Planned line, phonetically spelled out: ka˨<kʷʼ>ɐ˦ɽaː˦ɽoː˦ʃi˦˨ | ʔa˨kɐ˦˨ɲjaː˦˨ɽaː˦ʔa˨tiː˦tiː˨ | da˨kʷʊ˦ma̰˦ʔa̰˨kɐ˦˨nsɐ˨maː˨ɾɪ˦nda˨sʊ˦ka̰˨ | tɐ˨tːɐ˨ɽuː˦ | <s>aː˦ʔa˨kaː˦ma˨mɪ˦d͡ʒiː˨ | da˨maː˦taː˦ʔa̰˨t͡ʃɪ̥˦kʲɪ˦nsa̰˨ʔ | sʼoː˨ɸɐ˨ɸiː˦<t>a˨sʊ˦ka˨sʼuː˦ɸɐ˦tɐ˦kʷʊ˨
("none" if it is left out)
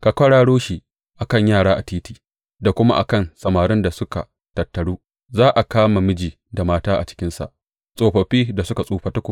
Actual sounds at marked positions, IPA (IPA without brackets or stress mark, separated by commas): kʷ, z, d